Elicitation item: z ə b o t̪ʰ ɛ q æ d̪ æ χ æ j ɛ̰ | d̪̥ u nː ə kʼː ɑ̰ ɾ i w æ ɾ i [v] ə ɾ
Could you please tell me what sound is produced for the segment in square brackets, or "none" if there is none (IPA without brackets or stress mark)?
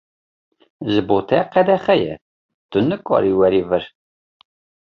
v